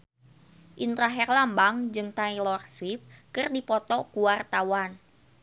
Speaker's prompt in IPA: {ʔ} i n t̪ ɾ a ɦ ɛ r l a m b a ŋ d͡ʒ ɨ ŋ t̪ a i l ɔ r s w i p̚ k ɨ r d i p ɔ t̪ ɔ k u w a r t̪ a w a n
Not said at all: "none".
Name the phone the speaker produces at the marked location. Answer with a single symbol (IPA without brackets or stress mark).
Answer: ʔ